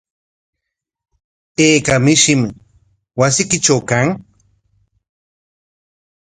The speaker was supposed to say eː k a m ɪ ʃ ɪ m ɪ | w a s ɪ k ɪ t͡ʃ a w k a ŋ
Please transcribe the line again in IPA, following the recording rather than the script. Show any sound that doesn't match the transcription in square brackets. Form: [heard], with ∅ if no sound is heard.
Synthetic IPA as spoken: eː k a m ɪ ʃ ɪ m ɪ | w a s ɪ k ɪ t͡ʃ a w k a ŋ